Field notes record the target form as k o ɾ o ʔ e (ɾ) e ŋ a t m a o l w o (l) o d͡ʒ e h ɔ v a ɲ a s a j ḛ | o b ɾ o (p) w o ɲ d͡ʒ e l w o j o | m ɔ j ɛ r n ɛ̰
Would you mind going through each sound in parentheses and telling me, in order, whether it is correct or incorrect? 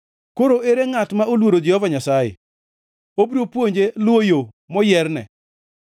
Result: correct, incorrect: ɾ, correct

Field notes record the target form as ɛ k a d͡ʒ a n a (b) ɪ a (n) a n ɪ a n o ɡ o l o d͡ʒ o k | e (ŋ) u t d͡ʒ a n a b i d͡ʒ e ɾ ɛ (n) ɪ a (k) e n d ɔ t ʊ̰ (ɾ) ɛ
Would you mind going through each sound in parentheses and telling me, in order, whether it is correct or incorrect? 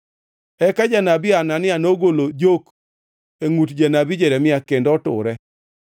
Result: correct, correct, correct, incorrect: m, correct, correct

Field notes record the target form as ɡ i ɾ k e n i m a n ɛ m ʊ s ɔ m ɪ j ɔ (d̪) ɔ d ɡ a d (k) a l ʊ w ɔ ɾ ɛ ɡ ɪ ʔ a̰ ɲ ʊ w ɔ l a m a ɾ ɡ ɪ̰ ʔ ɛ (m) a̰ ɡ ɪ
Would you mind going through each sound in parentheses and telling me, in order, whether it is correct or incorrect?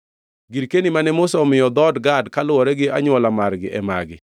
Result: correct, correct, correct

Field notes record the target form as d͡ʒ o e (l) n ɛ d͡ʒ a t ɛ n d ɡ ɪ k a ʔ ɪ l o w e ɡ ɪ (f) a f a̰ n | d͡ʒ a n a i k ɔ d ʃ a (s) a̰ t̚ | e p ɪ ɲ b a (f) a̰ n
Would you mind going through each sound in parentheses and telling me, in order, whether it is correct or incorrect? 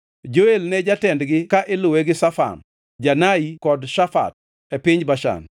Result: correct, incorrect: s, incorrect: f, incorrect: ʃ

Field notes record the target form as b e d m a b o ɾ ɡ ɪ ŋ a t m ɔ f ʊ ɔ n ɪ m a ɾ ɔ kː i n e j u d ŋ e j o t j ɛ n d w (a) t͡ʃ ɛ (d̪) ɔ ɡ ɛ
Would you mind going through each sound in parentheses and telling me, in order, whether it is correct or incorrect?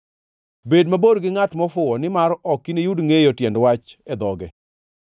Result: correct, correct

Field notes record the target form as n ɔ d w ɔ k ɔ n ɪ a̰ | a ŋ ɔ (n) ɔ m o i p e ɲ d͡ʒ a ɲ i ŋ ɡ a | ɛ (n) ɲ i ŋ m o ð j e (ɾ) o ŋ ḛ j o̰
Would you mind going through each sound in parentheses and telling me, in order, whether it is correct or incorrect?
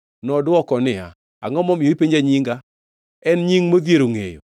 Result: incorrect: m, correct, correct

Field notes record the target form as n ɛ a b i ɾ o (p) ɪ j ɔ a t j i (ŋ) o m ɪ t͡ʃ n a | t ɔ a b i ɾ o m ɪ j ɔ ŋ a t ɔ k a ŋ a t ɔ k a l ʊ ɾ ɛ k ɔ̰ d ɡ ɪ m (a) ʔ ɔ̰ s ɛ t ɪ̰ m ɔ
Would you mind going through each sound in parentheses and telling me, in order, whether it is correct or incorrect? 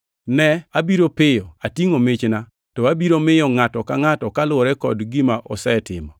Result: correct, correct, correct

